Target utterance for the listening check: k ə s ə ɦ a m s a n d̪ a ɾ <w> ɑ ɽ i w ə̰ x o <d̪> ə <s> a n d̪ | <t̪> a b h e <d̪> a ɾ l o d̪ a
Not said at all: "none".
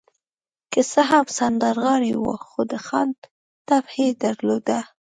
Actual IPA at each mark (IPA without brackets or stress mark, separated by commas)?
ɣ, d̪, x, t̪, d̪